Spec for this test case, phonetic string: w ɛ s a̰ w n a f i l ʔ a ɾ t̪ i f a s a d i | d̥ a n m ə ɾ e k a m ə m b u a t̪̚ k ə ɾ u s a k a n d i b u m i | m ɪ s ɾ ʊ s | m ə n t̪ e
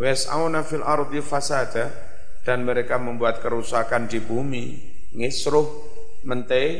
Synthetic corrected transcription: w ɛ s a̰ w n a f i l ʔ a ɾ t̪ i f a s a d a | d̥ a n m ə ɾ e k a m ə m b u a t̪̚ k ə ɾ u s a k a n d i b u m i | ŋ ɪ s ɾ ʊ h | m ə n t̪ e